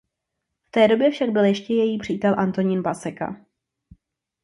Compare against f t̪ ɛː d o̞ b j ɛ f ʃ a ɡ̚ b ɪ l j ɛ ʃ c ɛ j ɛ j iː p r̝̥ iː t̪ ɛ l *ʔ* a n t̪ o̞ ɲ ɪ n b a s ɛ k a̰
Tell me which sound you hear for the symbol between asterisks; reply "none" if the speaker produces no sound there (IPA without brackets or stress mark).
ʔ